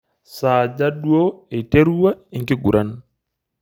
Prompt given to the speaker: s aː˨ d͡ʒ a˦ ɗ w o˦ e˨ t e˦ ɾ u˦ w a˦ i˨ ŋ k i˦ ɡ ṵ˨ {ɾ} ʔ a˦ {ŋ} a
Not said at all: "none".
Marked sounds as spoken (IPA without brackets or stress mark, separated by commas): ɾ, n